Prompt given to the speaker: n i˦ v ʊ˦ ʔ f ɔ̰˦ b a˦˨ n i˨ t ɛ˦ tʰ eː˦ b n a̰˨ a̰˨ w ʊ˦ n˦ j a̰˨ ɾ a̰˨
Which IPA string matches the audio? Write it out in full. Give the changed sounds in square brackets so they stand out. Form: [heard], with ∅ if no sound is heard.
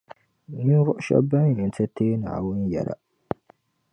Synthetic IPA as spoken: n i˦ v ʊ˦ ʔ [ʃ] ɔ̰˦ b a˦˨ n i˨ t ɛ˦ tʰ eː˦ [∅] n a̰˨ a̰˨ w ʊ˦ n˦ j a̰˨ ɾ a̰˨

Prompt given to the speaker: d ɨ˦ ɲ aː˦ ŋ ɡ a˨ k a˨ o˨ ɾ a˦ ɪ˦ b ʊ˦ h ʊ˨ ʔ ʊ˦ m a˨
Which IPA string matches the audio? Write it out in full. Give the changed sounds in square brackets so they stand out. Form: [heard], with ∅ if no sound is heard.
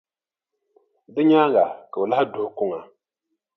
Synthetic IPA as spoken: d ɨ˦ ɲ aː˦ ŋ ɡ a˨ k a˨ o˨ [l] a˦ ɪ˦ [d] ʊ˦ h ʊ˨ [k] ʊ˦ [ŋ] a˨

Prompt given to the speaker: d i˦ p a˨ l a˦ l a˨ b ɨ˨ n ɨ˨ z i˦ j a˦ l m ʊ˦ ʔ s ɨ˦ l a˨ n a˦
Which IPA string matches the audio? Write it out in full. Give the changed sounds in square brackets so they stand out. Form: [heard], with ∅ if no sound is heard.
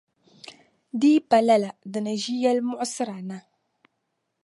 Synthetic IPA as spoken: d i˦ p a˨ l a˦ l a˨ [d] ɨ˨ n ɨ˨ [ʒ] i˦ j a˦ l m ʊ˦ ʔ s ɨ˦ [ɾ] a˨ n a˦

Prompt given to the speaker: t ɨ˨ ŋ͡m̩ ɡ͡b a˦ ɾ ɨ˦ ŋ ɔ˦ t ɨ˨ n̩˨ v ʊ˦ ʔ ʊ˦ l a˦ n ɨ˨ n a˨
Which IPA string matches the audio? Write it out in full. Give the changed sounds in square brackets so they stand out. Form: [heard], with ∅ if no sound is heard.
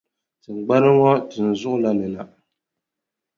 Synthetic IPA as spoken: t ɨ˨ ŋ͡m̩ ɡ͡b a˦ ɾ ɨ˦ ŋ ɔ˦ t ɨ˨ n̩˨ [z] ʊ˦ ʔ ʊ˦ l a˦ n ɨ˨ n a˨

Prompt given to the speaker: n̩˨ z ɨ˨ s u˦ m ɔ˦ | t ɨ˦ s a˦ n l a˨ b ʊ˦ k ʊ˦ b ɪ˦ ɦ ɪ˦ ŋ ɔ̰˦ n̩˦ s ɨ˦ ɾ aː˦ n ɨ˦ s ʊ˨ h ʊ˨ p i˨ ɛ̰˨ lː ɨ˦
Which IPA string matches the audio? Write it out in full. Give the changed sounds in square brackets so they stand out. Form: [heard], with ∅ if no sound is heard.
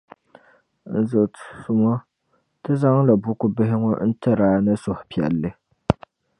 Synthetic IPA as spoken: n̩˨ z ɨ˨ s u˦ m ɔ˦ | t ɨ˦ [z] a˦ [ŋ] l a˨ b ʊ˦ k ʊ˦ b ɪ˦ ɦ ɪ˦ ŋ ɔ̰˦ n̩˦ [t] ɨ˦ ɾ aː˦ n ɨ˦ s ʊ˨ h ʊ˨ p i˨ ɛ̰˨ lː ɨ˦

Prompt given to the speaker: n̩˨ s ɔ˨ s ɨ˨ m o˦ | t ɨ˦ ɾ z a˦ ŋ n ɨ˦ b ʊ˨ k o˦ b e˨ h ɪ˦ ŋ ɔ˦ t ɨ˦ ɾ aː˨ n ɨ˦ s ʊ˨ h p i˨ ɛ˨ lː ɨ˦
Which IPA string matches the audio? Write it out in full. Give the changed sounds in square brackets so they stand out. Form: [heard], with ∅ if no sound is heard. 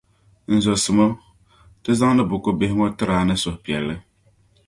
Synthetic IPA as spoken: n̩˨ [z] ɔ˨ s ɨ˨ m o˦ | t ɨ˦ [∅] z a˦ ŋ n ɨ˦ b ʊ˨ k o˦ b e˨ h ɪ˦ ŋ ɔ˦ t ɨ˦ ɾ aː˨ n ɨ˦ s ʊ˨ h p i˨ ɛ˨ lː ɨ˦

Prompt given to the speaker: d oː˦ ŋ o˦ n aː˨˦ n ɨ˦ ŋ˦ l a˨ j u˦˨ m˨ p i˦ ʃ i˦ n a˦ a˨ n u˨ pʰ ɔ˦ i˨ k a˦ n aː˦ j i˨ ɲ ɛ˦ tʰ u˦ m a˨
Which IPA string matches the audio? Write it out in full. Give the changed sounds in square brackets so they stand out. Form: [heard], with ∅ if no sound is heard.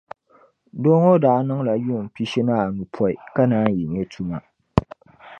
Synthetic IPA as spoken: d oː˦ ŋ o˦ [d] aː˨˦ n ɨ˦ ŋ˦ l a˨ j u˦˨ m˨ p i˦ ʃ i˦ n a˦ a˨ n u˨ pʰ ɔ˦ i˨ k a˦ n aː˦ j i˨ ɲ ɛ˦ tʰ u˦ m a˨

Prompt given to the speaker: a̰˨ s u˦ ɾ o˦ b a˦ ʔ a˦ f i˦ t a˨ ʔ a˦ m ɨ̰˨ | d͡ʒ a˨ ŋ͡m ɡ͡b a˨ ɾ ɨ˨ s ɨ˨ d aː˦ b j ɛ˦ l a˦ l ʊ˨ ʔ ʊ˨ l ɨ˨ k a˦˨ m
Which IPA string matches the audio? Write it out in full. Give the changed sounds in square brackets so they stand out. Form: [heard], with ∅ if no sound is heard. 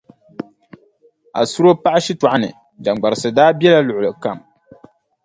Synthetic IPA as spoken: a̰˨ s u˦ ɾ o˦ [p] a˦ ʔ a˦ [ʃ] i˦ t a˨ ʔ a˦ [n] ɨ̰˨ | d͡ʒ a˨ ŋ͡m ɡ͡b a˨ ɾ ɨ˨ s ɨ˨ d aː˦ b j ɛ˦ l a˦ l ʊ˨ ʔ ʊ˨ l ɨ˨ k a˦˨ m

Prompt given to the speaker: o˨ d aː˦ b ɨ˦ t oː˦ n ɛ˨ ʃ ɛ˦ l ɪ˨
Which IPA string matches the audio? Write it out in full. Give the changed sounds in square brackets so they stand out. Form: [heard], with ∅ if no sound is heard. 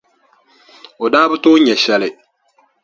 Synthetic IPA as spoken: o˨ d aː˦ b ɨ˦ t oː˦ [ɲ] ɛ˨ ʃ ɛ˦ l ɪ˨

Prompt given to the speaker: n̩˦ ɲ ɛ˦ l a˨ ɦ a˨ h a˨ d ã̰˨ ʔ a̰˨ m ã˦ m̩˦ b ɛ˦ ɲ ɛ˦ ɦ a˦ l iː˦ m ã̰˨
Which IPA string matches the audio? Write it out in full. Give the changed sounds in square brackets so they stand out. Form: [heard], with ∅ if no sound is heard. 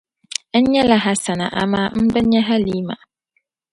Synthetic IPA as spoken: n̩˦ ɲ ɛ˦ l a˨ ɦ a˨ [s] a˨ [n] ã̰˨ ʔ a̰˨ m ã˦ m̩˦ b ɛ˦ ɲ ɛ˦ ɦ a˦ l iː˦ m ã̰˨

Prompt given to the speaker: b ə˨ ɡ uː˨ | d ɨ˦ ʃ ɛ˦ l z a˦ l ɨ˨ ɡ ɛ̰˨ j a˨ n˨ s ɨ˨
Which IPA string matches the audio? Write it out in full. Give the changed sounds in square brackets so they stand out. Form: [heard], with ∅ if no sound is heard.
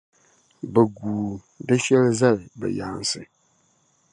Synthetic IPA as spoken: b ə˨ ɡ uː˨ | d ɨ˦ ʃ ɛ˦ l z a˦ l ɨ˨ [b] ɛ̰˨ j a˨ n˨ s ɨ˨

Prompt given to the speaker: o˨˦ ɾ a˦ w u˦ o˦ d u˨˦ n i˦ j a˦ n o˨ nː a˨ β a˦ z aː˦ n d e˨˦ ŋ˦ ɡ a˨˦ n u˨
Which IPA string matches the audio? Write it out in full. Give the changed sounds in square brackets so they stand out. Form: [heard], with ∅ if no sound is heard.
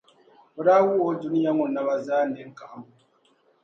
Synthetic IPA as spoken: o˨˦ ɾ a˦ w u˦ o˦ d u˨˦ n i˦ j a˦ [ŋ] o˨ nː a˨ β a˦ z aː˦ n d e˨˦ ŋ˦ [k] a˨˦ [m] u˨

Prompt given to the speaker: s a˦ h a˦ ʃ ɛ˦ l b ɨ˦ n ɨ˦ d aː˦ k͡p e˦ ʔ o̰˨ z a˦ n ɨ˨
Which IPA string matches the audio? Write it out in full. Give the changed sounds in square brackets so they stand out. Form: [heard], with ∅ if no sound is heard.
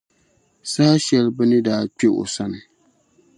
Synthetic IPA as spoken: s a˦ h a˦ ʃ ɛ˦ l b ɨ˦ n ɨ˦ d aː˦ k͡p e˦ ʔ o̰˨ [s] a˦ n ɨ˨

